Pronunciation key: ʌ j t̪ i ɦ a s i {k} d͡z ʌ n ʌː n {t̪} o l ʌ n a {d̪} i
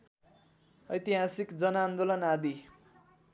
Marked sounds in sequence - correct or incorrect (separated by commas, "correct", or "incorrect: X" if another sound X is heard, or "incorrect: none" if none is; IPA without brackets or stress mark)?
correct, incorrect: d̪, correct